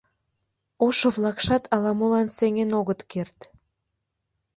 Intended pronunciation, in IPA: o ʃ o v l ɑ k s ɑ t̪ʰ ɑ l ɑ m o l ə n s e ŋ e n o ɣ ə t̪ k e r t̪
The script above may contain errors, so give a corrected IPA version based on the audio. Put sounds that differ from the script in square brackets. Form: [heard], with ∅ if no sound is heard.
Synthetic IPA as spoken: o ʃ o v l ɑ k [ʃ] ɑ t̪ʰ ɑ l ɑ m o l [ɑ] n s e ŋ e n o ɣ ə t̪ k e r t̪